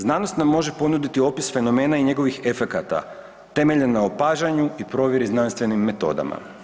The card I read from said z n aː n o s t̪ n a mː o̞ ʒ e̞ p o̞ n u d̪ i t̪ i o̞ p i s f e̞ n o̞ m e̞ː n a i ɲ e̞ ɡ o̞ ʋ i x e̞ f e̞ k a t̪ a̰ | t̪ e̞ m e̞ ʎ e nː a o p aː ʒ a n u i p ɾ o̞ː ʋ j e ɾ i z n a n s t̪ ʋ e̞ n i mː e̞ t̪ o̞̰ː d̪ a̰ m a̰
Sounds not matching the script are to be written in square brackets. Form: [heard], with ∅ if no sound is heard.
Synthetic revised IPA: z n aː n o s t̪ n a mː o̞ ʒ e̞ p o̞ n u d̪ i t̪ i o̞ p i s f e̞ n o̞ m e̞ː n a i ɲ e̞ ɡ o̞ ʋ i x e̞ f e̞ k a t̪ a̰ | t̪ e̞ m e̞ ʎ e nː a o p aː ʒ a [ɲ] u i p ɾ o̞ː ʋ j e ɾ i z n a n s t̪ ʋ e̞ n i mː e̞ t̪ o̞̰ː d̪ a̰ m a̰